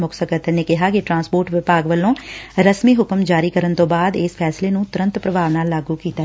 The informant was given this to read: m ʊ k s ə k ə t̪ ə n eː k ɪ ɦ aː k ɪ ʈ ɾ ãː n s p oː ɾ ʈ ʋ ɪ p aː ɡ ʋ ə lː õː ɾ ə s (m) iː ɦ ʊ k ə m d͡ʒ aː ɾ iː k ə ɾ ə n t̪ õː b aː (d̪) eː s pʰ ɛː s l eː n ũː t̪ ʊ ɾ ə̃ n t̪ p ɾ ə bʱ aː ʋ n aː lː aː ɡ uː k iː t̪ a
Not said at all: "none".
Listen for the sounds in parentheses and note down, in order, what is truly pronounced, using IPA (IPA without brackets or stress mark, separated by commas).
m, d̪